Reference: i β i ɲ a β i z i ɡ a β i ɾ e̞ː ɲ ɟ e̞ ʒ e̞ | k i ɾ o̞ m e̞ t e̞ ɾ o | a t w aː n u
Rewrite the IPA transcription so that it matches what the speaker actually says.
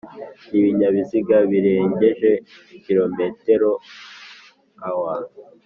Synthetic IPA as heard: i β i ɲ a β i z i ɡ a β i ɾ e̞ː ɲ ɟ e̞ ʒ e̞ | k i ɾ o̞ m e̞ t e̞ ɾ o | a w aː n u